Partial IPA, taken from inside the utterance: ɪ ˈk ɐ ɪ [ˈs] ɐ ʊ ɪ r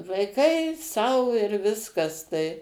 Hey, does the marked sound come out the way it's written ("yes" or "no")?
yes